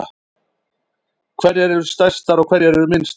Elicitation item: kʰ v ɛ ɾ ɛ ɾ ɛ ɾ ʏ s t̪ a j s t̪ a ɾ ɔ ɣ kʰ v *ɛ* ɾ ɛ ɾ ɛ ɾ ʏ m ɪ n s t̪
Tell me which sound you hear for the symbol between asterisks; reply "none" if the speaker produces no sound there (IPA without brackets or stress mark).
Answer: ɛ